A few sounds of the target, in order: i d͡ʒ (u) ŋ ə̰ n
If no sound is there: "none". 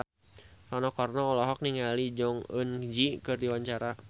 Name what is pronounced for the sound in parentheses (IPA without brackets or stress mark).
ɔ